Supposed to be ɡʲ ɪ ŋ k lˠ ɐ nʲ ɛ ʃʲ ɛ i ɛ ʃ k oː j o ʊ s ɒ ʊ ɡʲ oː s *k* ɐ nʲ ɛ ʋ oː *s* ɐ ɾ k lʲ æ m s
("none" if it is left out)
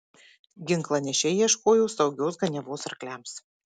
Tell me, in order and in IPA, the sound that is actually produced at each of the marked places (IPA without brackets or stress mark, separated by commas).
ɡ, s